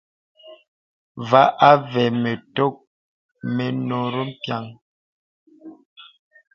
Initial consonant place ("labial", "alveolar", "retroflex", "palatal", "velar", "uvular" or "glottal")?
labial